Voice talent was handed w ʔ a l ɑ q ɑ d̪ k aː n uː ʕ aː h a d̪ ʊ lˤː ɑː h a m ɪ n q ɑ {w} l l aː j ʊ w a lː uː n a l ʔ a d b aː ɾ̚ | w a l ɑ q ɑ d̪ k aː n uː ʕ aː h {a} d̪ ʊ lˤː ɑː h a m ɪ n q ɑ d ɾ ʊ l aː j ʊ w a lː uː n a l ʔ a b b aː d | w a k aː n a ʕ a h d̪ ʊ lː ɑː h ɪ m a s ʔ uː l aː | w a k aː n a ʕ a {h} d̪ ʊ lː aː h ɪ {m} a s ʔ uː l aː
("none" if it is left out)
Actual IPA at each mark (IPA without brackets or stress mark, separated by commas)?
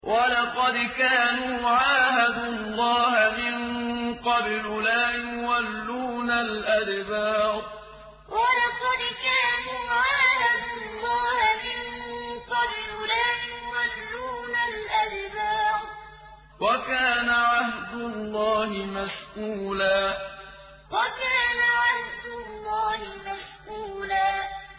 b, a, h, m